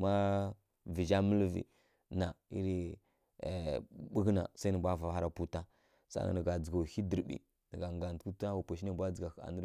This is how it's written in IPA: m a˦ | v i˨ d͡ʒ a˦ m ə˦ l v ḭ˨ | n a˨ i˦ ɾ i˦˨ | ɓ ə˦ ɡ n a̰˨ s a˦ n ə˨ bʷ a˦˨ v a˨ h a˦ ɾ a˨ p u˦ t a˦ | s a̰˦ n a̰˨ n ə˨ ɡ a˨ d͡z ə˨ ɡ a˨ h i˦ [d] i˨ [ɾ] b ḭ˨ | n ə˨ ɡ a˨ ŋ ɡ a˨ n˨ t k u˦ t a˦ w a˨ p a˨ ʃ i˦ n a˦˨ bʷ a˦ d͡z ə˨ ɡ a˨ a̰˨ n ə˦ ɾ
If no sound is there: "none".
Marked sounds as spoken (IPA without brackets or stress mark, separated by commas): d, ɾ